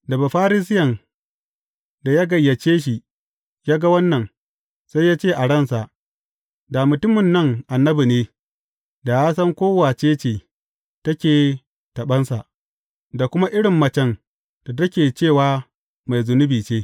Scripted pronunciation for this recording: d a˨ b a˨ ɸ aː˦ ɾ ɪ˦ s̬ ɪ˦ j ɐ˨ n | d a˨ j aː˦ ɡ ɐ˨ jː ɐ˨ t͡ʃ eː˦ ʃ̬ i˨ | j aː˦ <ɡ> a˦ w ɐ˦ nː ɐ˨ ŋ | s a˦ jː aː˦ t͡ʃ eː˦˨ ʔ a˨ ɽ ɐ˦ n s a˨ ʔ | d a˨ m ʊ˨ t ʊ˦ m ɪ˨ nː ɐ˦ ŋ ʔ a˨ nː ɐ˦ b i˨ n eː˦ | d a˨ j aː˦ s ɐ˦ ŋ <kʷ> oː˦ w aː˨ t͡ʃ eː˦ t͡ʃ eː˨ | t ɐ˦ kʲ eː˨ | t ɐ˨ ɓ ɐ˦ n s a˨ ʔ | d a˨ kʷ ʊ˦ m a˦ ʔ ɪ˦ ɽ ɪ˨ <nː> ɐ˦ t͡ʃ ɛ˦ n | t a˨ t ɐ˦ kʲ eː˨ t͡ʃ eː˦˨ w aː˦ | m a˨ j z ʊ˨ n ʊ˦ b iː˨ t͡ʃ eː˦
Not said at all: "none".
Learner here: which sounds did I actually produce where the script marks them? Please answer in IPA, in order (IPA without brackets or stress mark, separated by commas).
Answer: ɡ, kʷ, mː